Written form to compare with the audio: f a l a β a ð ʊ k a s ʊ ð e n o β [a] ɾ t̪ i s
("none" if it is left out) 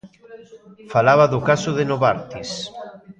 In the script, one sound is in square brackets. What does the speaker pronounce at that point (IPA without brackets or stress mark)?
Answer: a